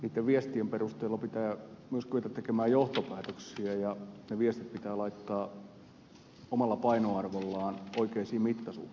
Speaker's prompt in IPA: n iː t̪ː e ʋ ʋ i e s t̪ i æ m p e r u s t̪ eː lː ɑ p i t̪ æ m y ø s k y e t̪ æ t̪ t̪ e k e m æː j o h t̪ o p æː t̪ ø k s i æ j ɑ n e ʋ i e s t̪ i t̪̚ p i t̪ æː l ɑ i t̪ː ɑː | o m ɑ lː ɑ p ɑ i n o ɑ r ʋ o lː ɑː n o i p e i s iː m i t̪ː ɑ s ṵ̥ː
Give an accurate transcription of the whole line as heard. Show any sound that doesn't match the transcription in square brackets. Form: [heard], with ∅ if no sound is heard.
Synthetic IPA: n iː t̪ː e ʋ ʋ i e s t̪ i [e] m p e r u s t̪ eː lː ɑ p i t̪ [æː] m y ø s k y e t̪ æ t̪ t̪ e k e m æː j o h t̪ o p æː t̪ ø k s i æ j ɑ n e ʋ i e s t̪ i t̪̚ p i t̪ æː l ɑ i t̪ː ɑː | o m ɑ lː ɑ p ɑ i n o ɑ r ʋ o lː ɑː n o i [k] e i s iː m i t̪ː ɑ s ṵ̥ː